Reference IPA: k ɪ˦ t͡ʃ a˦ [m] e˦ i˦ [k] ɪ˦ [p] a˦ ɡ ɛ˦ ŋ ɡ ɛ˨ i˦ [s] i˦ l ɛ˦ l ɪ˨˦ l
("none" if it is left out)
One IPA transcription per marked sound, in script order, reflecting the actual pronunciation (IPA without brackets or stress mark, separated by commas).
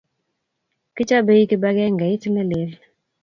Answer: b, k, b, t